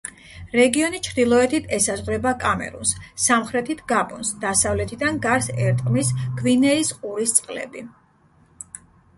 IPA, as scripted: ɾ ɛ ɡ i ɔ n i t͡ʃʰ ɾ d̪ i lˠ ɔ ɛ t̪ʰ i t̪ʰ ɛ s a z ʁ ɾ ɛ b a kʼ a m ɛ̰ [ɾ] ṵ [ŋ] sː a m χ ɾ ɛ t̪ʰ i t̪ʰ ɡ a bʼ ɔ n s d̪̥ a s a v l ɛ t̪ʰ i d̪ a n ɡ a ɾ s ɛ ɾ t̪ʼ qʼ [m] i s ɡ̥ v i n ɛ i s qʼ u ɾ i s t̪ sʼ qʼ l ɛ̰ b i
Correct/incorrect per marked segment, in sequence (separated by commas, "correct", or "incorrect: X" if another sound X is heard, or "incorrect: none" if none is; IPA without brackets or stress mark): correct, incorrect: n, correct